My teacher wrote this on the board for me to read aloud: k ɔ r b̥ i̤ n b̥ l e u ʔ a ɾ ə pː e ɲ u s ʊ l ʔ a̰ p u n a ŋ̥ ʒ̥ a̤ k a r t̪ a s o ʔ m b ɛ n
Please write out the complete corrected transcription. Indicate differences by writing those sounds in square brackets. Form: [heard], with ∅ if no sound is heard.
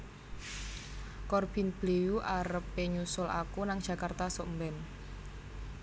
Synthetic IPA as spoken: k ɔ r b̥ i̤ n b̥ l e u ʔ a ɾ ə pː e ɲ u s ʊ l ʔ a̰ [k] u n a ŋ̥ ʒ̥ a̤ k a r t̪ a s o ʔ m b ɛ n